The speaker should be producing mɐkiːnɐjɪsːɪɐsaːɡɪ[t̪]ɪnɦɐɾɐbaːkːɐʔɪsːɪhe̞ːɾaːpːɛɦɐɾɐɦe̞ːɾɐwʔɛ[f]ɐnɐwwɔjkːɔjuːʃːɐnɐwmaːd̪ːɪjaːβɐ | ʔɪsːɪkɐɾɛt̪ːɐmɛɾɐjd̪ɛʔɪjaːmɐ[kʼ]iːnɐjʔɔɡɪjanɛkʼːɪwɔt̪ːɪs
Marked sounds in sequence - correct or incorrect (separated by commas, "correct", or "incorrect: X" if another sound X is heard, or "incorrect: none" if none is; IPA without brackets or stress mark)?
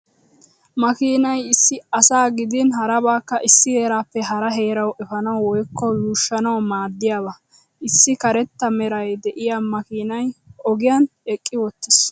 incorrect: d̪, correct, incorrect: k